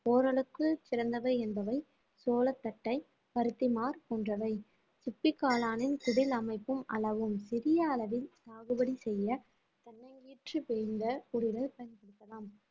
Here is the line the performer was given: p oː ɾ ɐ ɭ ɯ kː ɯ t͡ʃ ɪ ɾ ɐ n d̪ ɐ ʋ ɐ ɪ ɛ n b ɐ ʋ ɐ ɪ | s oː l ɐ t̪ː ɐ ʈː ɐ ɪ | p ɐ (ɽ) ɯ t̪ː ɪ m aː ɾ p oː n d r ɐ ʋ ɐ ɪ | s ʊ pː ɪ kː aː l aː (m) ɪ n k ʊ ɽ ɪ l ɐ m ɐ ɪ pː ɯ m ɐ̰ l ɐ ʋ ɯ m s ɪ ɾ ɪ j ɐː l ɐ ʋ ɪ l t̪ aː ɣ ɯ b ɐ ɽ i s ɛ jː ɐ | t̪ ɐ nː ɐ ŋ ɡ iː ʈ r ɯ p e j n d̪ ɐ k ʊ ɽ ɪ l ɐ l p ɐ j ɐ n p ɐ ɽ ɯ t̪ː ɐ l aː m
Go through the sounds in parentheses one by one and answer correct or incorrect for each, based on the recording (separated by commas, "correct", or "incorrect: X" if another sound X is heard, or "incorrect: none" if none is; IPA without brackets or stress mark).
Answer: incorrect: ɾ, incorrect: n